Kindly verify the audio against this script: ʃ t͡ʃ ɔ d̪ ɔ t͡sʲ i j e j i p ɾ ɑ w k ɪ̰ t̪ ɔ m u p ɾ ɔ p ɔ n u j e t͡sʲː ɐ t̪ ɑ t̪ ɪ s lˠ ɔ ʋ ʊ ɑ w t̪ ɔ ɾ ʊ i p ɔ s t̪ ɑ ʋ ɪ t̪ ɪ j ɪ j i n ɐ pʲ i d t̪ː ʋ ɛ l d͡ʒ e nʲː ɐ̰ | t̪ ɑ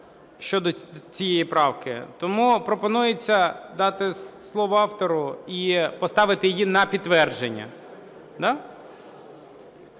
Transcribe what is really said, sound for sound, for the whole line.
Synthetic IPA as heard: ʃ t͡ʃ ɔ d̪ ɔ t͡sʲ i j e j i p ɾ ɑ w k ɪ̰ t̪ ɔ m u p ɾ ɔ p ɔ n u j e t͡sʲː ɐ d̪ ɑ t̪ ɪ s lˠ ɔ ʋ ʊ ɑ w t̪ ɔ ɾ ʊ i p ɔ s t̪ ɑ ʋ ɪ t̪ ɪ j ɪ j i n ɐ pʲ i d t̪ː ʋ ɛ r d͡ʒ e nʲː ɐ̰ | d̪ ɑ